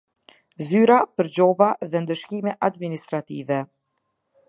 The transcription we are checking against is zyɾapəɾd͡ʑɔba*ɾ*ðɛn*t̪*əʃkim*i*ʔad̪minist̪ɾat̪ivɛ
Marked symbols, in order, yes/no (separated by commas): no, no, no